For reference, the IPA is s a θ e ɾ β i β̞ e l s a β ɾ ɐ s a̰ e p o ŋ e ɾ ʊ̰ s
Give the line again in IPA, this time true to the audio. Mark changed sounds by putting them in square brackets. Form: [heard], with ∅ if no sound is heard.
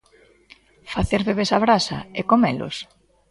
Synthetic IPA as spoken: [f] a θ e ɾ β [e] β̞ e [∅] s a β ɾ [a] s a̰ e [k] o [m] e [l] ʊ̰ s